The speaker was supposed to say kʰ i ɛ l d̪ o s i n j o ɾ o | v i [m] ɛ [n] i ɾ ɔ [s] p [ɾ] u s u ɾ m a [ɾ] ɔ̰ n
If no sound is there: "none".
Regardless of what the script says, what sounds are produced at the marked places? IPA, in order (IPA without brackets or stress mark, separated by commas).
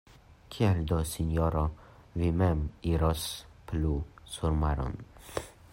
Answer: m, m, s, l, ɾ